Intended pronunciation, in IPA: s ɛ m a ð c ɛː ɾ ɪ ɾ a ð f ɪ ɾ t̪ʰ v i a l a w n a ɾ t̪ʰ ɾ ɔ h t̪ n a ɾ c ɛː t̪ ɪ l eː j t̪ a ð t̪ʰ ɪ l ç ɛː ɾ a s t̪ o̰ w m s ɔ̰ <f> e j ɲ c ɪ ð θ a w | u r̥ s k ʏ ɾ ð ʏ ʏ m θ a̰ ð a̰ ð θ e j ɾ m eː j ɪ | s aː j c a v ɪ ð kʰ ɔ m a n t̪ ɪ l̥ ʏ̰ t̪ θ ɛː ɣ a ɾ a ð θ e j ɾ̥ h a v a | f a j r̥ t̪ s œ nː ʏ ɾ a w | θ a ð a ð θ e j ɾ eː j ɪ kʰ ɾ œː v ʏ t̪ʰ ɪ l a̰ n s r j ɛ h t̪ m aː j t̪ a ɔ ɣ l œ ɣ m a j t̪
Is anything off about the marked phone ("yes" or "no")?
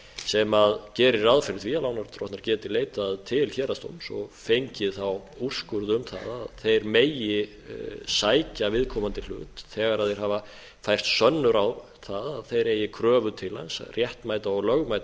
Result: no